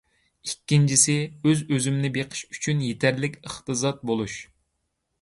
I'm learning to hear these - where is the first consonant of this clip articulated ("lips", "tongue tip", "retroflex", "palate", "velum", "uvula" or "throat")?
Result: velum